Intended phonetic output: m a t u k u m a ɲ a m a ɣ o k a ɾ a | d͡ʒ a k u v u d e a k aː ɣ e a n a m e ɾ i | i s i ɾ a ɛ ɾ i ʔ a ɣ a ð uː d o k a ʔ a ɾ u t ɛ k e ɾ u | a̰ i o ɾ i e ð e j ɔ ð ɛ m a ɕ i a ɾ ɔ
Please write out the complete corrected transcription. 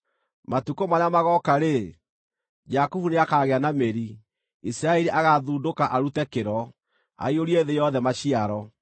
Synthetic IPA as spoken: m a t u k o m a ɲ a m a ɣ ɔ k a ɾ e | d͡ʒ a k u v u n e a k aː ɣ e a n a m e ɾ i | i s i ɾ a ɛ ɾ i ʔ a ɣ a ð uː d o k a ʔ a ɾ u t ɛ k e ɾ ɔ | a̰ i o ɾ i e ð e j ɔ ð ɛ m a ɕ i a ɾ ɔ